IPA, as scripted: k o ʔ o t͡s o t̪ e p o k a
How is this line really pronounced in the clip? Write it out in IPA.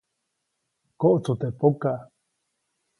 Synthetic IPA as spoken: k o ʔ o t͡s u t̪ e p o k a